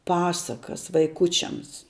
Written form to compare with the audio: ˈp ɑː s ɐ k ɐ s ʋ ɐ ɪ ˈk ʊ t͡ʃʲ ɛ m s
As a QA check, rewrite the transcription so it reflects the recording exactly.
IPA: ˈp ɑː s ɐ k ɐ s ʋ ɐ ɪ ˈk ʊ t͡ʃʲ ɛ m s